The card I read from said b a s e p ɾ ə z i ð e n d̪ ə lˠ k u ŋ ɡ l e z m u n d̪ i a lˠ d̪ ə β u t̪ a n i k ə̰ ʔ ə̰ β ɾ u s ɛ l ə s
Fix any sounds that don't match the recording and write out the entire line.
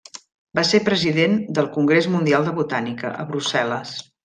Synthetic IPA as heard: b a s e p ɾ ə z i ð e n d̪ ə lˠ k u ŋ ɡ ɾ e z m u n d̪ i a lˠ d̪ ə β u t̪ a n i k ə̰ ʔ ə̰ β ɾ u s ɛ l ə s